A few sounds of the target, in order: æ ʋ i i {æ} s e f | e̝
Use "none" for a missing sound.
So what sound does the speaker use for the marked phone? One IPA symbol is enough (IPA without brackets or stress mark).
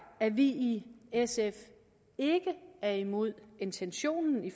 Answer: e